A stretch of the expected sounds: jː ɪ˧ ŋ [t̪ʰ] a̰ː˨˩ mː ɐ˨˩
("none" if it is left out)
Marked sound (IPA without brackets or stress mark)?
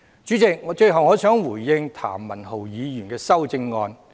t̪ʰ